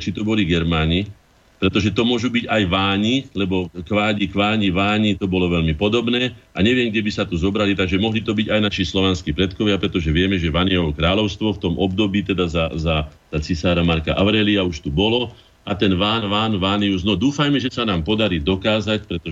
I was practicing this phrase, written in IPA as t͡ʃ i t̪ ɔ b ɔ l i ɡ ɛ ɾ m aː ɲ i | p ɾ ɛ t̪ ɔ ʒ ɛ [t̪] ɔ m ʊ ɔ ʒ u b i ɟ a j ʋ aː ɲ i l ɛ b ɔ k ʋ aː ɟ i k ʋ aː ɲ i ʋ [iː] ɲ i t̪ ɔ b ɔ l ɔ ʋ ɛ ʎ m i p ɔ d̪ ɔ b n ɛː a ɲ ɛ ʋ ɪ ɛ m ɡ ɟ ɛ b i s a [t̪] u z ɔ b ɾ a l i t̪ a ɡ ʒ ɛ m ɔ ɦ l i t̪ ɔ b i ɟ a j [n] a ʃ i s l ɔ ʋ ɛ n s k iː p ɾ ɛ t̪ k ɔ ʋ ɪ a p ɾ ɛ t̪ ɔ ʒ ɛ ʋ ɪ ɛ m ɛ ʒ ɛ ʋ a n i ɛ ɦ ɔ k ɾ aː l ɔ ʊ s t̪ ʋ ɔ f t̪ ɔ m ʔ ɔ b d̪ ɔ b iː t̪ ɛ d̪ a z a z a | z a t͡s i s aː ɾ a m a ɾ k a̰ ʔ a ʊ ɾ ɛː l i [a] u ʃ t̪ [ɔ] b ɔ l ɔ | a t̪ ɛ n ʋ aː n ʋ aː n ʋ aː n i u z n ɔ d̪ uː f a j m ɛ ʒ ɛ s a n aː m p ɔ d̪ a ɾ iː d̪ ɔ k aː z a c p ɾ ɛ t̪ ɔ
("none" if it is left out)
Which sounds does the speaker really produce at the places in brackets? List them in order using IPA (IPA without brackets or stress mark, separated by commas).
t̪, aː, t̪, n, a, u